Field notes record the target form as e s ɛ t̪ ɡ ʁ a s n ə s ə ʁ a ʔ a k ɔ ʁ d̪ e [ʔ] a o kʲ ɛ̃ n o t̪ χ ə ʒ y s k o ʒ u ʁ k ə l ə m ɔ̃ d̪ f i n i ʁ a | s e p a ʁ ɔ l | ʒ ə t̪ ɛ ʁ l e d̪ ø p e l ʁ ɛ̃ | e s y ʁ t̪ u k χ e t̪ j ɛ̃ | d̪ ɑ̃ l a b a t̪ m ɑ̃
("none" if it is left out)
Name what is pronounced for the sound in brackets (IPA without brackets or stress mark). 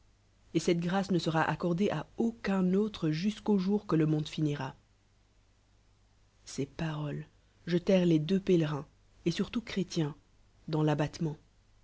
ʔ